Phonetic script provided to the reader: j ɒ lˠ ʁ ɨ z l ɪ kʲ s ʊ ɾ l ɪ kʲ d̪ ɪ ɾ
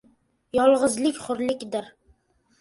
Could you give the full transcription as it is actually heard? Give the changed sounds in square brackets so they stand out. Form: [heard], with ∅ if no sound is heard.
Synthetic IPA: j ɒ lˠ ʁ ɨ z l ɪ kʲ [χ] ʊ ɾ l ɪ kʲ d̪ ɪ ɾ